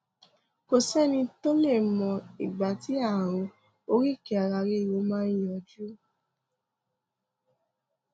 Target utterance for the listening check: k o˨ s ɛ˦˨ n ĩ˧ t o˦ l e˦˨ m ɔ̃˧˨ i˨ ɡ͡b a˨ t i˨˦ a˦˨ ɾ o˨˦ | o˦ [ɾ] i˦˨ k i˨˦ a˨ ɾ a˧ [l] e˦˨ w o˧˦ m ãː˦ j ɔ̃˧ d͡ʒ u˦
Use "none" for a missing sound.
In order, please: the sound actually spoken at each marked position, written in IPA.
ɾ, ɾ

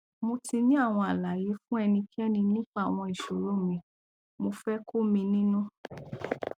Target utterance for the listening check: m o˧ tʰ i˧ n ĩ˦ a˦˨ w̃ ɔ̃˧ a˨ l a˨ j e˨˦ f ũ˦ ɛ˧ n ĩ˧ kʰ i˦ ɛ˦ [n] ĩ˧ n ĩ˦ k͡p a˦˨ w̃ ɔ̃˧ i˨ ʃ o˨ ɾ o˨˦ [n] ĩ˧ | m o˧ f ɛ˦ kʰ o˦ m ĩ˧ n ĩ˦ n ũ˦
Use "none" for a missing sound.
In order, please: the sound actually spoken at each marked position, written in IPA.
n, m

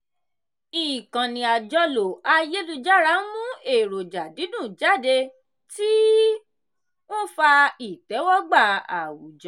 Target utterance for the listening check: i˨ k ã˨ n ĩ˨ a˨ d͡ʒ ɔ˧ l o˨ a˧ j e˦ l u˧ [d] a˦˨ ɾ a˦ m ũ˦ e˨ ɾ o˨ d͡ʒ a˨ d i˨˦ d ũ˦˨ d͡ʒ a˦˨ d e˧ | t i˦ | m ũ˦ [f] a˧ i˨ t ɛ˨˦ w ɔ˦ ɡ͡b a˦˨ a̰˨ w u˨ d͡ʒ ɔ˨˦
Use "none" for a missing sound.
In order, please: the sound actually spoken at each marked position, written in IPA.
d͡ʒ, f

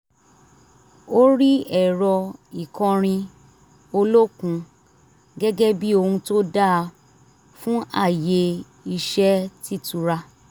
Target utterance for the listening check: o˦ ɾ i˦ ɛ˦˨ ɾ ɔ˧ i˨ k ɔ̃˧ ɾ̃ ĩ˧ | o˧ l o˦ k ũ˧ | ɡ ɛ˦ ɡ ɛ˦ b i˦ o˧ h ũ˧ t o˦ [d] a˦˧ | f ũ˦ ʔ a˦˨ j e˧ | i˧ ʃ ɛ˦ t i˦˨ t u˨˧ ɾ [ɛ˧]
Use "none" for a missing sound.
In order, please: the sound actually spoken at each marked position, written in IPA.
d, a˧

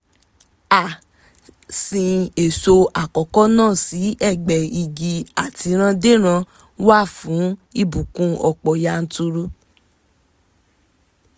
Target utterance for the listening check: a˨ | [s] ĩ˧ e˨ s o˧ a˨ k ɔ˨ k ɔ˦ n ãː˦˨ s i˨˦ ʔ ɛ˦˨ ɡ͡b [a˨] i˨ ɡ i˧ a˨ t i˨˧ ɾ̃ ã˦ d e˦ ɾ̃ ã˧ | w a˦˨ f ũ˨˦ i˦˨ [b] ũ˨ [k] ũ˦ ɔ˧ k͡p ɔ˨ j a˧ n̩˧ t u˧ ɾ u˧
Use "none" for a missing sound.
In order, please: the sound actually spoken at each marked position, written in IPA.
s, ɛ˨, b, k

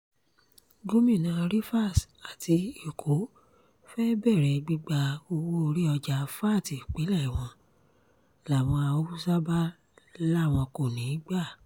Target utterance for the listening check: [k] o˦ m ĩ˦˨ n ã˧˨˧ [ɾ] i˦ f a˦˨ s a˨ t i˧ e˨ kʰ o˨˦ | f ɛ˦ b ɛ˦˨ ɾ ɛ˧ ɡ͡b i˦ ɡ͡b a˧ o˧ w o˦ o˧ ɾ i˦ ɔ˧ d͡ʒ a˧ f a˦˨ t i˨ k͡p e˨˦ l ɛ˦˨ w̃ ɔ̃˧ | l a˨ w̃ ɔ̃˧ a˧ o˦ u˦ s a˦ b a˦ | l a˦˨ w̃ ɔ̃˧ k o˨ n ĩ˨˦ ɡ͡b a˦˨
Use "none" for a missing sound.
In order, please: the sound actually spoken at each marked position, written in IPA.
ɡ, ɾ

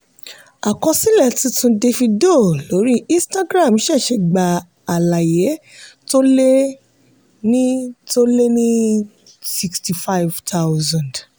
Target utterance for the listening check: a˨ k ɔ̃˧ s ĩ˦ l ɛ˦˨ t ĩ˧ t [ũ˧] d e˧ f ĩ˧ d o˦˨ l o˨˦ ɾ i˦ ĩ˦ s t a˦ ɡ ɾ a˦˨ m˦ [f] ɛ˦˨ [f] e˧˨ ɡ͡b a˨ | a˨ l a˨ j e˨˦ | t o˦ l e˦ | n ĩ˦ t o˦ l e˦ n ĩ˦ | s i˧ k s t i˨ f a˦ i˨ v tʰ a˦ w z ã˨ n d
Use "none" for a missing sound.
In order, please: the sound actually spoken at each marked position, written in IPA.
ũ˧, ʃ, ʃ

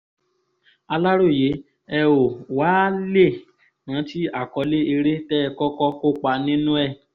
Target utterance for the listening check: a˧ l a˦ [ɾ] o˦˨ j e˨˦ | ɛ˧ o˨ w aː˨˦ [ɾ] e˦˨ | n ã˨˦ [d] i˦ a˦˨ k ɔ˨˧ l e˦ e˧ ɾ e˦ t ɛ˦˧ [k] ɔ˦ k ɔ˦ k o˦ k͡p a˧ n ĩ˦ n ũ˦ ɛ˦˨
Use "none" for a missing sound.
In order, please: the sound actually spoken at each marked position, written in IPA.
ɾ, l, t, k

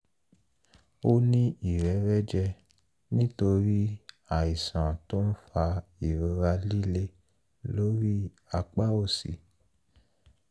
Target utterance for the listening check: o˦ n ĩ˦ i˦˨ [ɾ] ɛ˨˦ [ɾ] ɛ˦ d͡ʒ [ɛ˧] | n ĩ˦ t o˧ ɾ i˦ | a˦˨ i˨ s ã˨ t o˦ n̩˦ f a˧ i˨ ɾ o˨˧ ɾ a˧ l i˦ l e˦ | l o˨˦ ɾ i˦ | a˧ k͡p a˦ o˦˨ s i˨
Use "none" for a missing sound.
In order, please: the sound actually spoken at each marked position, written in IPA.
ɾ, ɾ, ɛ˧

